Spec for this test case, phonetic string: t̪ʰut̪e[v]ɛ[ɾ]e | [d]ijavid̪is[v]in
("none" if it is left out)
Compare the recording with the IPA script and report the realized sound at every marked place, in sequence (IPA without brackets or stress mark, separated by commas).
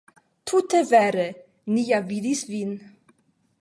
v, ɾ, n, v